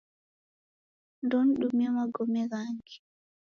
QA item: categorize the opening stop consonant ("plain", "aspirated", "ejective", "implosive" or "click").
plain